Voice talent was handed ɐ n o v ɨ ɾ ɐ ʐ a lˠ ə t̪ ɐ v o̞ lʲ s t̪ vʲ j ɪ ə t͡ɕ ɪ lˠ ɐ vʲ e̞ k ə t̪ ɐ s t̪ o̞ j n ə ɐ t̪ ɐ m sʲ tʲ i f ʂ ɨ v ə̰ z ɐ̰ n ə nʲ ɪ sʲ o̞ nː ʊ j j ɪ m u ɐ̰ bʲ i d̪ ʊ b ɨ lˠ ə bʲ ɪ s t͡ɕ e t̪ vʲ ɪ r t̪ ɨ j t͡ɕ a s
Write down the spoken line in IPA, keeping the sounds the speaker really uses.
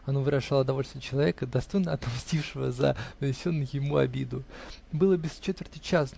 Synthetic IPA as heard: ɐ n o v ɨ ɾ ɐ ʐ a lˠ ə d̪ ɐ v o̞ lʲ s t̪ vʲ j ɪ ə t͡ɕ ɪ lˠ ɐ vʲ e̞ k ə d̪ ɐ s t̪ o̞ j n ə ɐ t̪ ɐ m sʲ tʲ i f ʂ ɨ v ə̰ z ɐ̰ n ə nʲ ɪ sʲ o̞ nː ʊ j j ɪ m u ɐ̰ bʲ i d̪ ʊ b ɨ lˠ ə bʲ ɪ s t͡ɕ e t̪ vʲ ɪ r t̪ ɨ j t͡ɕ a s